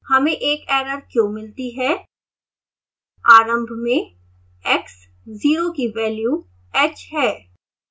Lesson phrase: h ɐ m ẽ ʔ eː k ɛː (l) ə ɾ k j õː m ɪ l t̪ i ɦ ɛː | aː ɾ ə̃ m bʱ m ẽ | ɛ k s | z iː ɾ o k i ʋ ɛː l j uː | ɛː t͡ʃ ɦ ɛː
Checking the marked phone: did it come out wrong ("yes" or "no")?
yes